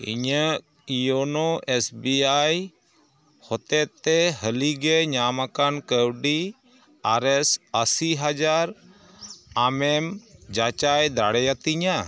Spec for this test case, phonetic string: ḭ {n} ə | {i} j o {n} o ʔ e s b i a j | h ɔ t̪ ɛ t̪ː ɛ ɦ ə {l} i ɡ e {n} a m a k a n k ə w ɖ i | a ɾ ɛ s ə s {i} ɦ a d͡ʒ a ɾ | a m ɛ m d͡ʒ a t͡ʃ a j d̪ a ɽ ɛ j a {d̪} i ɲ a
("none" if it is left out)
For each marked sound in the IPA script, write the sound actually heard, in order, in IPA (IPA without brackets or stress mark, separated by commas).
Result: ɲ, i, n, l, ɲ, i, t̪